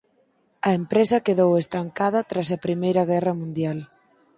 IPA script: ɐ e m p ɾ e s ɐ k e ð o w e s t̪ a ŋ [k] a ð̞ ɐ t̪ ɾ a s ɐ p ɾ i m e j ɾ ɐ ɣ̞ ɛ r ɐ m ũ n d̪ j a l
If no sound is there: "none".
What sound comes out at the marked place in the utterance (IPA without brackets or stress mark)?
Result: k